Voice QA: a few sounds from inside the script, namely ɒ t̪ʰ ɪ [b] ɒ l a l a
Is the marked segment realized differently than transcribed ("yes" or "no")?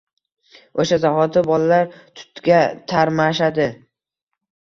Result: no